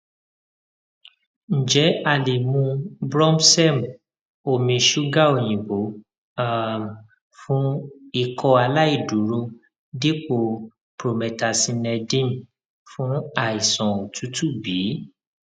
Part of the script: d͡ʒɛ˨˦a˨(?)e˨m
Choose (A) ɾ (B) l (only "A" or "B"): B